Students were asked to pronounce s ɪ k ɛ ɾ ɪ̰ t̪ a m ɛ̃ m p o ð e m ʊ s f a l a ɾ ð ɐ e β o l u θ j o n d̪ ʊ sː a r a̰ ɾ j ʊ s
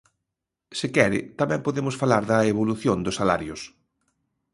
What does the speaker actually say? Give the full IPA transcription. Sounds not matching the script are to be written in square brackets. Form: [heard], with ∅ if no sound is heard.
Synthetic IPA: s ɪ k ɛ ɾ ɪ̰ t̪ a m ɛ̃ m p o ð e m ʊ s f a l a ɾ ð ɐ e β o l u θ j o n d̪ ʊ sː a [l] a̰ ɾ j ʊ s

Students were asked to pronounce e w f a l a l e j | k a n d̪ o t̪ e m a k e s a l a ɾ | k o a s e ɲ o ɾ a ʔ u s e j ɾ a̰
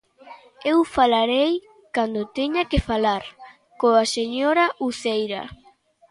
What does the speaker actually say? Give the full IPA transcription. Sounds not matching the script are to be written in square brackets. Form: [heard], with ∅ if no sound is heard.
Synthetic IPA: e w f a l a [ɾ] e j | k a n d̪ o t̪ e [ɲ] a k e [f] a l a ɾ | k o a s e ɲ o ɾ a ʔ u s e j ɾ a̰

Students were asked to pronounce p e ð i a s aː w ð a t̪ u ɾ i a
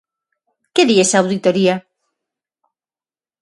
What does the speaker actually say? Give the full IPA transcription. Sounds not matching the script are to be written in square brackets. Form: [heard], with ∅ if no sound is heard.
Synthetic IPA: [k] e ð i [e] s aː w ð [i] t̪ [o] ɾ i a

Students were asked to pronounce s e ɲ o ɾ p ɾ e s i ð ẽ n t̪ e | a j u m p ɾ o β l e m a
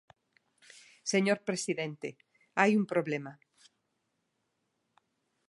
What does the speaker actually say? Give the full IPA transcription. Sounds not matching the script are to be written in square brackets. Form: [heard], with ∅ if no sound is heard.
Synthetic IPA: s e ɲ o ɾ p ɾ e s i ð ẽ n t̪ e | a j u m p ɾ o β l e m a

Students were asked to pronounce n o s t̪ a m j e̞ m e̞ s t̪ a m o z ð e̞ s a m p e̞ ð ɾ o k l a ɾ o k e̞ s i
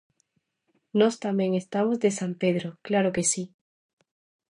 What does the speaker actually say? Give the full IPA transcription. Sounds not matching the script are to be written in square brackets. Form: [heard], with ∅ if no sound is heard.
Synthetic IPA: n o s t̪ a m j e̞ [ŋ] e̞ s t̪ a m o z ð e̞ s a m p e̞ ð ɾ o k l a ɾ o k e̞ s i

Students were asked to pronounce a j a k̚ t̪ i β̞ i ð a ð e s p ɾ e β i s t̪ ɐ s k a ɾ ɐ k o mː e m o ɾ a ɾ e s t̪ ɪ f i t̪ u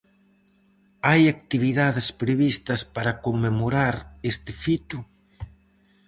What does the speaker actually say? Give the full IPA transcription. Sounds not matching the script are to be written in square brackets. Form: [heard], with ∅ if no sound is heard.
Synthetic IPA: a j a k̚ t̪ i β̞ i ð a ð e s p ɾ e β i s t̪ ɐ s [p] a ɾ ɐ k o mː e m o ɾ a ɾ e s t̪ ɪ f i t̪ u

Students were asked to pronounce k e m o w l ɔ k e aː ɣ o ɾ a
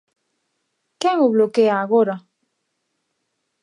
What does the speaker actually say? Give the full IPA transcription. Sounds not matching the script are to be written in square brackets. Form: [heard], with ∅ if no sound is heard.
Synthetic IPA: k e [ŋ] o [β] l [o] k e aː ɣ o ɾ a

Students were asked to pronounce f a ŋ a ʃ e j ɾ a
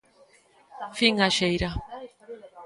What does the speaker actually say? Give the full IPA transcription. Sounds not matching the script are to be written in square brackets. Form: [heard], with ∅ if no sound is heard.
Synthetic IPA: f [i] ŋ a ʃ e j ɾ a

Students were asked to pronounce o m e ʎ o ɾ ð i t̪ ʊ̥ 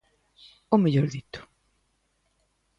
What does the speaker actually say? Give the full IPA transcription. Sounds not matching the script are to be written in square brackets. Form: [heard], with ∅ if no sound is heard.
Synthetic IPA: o m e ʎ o ɾ ð i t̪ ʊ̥

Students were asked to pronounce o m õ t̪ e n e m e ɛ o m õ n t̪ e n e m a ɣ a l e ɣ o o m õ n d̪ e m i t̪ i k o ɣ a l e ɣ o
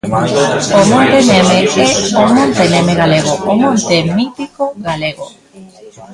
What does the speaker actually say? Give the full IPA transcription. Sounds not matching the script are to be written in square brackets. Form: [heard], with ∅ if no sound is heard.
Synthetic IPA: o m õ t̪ e n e m e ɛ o m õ n t̪ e n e m [e] ɣ a l e ɣ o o m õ n [t̪] e m i t̪ i k o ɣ a l e ɣ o

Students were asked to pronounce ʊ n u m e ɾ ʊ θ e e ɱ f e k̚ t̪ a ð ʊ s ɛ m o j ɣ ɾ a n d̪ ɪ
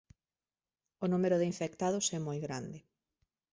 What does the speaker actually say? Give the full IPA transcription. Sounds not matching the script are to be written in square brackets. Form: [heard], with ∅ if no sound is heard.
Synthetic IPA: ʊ n u m e ɾ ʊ [ð] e [i] ɱ f e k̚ t̪ a ð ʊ s ɛ m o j ɣ ɾ a n d̪ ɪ

